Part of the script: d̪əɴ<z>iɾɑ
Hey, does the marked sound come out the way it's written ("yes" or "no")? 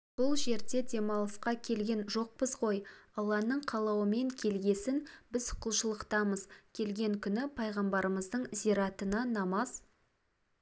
yes